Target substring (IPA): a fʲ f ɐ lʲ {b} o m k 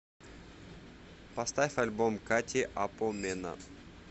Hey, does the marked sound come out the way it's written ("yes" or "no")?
yes